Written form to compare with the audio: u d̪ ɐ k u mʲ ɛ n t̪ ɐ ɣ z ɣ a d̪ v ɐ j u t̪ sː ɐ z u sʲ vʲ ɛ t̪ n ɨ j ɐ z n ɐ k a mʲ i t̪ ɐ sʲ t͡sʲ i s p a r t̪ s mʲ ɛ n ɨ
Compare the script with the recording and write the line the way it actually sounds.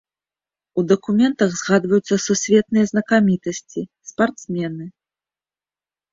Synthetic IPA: u d̪ ɐ k u mʲ ɛ n t̪ ɐ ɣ z ɣ a d̪ v ɐ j u t̪ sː ɐ s u sʲ vʲ ɛ t̪ n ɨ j ɐ z n ɐ k a mʲ i t̪ ɐ sʲ t͡sʲ i s p a r t̪ s mʲ ɛ n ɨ